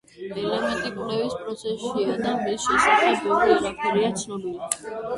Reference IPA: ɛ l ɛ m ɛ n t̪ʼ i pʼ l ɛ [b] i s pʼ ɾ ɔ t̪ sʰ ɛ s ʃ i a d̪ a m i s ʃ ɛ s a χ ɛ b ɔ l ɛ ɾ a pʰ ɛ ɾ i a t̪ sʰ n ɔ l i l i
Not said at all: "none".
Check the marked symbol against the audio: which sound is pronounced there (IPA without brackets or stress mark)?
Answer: v